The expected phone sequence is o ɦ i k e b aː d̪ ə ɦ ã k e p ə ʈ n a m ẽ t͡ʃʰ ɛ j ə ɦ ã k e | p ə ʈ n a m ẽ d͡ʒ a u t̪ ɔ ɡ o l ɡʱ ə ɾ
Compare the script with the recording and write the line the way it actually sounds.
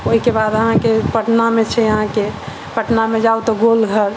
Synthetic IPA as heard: o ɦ i k e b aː d̪ ə ɦ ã k e p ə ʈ n a m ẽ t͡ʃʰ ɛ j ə ɦ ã k e | p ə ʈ n a m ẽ d͡ʒ a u t̪ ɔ ɡ o l ɡʱ ə ɾ